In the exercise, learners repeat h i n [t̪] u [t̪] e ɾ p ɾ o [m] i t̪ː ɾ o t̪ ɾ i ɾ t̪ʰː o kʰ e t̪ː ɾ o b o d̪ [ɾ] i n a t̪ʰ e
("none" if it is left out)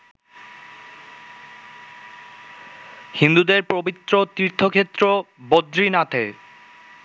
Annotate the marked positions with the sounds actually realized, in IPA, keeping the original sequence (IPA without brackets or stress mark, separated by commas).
d̪, d̪, b, ɾ